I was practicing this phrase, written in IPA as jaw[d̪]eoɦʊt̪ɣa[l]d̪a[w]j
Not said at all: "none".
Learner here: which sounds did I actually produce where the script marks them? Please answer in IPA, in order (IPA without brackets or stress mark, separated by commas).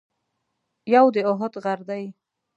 d̪, ɾ, none